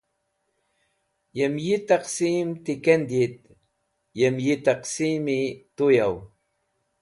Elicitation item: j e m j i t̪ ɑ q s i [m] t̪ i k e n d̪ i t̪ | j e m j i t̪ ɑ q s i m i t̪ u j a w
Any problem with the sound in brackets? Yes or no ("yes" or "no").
no